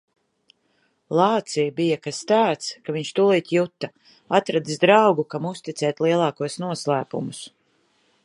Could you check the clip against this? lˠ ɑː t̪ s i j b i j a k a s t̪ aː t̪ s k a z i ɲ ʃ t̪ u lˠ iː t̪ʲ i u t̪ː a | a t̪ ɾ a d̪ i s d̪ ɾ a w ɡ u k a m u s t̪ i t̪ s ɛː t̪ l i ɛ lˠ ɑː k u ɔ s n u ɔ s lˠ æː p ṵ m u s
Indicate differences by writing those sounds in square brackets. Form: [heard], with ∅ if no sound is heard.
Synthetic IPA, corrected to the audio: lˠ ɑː t̪ s i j b i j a k a s t̪ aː t̪ s k a [v] i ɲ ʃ t̪ u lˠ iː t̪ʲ [j] u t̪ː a | a t̪ ɾ a d̪ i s d̪ ɾ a w ɡ u k a m u s t̪ i t̪ s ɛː t̪ l i ɛ lˠ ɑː k u ɔ s n u ɔ s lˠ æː p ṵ m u s